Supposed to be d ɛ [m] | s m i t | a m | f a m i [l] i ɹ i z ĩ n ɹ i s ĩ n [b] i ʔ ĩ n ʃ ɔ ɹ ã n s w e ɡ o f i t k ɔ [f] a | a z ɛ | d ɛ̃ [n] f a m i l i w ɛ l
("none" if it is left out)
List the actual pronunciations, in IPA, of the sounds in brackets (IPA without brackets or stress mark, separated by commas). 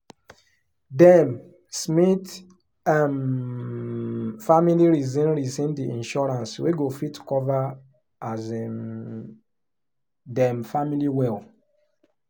m, l, d, v, m